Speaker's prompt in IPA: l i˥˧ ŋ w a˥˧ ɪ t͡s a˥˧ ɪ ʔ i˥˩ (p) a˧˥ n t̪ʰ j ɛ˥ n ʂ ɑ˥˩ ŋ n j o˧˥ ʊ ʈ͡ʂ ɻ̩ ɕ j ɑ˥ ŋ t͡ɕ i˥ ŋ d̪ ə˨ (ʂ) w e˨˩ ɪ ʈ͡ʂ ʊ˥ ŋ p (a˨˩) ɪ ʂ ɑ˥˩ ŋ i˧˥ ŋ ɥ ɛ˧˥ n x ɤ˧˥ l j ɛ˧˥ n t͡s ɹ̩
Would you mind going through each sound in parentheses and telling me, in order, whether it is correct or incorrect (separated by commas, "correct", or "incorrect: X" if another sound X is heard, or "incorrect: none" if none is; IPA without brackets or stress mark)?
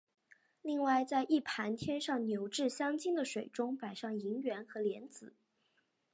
incorrect: pʰ, correct, correct